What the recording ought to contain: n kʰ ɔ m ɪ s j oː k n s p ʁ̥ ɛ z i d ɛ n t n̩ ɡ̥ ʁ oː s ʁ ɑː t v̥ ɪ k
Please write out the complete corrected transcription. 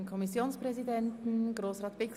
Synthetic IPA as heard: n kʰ ɔ m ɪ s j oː n s p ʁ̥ ɛ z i d ɛ n t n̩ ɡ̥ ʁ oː s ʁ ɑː t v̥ ɪ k